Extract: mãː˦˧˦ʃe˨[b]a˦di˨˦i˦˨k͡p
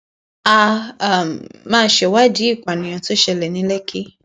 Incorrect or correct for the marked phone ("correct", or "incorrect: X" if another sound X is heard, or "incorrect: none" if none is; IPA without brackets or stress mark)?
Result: incorrect: w